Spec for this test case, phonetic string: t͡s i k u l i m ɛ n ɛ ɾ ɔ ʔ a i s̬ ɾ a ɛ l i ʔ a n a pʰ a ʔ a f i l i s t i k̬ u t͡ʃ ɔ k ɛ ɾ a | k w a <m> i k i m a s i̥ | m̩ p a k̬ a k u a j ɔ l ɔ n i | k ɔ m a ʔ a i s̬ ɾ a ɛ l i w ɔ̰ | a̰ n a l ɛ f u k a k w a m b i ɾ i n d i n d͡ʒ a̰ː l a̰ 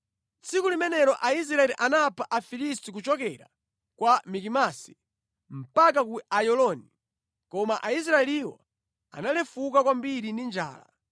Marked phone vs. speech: correct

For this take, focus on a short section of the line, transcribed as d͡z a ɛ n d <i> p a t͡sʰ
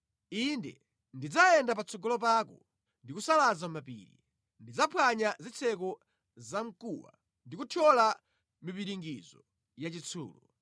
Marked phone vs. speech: incorrect: a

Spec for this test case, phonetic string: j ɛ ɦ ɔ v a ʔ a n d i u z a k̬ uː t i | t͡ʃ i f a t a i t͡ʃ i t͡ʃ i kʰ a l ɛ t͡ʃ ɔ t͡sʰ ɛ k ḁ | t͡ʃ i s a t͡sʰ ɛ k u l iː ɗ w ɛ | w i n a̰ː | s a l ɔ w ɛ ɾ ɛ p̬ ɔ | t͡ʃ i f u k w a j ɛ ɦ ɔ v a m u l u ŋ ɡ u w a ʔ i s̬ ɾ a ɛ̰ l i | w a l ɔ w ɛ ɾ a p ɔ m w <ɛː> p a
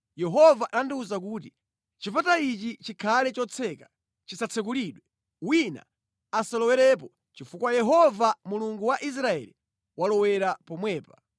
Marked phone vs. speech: correct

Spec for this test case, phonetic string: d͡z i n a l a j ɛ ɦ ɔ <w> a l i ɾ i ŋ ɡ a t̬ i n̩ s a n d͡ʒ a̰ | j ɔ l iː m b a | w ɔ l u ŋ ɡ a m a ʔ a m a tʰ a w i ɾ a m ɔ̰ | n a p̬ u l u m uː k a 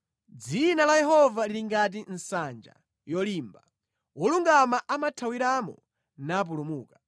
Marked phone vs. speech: incorrect: v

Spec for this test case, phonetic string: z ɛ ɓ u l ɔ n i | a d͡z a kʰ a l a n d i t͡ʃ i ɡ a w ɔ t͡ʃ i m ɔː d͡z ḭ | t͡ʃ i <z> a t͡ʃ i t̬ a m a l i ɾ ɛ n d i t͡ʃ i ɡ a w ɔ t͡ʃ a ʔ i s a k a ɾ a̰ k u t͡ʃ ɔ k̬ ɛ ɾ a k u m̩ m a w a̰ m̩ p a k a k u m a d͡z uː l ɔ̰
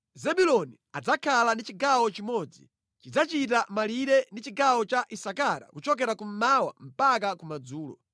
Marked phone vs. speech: incorrect: d͡z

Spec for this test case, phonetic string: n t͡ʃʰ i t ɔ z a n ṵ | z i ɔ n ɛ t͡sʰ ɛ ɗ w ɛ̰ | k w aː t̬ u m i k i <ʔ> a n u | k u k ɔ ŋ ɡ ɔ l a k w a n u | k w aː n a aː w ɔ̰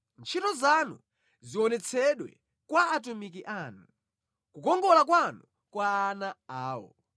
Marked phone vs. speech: correct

